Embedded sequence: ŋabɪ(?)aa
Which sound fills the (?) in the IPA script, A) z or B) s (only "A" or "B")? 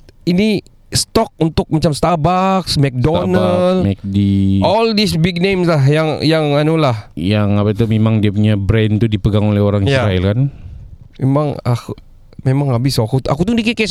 B